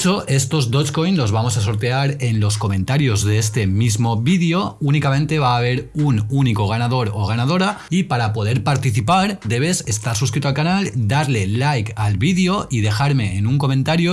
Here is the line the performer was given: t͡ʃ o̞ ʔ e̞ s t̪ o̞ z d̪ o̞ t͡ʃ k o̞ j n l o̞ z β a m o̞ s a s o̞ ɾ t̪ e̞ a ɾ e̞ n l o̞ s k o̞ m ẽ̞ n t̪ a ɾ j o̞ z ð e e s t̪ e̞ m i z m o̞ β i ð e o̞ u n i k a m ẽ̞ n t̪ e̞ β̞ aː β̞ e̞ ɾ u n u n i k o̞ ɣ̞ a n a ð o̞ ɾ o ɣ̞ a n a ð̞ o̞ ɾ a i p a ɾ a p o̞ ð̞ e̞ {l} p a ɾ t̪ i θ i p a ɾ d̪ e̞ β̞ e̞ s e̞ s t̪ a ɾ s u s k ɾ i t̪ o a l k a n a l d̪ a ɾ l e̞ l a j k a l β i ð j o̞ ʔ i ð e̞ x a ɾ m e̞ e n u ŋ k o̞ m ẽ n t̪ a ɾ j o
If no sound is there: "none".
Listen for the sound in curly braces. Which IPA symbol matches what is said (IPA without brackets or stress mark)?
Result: ɾ